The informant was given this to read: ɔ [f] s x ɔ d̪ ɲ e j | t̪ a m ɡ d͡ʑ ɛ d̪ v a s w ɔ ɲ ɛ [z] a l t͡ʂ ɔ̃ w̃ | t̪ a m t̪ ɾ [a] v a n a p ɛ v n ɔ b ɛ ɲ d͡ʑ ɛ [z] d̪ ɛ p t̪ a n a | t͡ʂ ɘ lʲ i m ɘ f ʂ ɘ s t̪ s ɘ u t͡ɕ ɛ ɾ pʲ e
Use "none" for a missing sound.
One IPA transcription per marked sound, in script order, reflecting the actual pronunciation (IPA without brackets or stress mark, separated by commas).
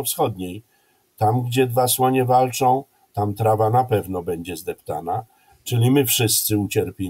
f, v, a, z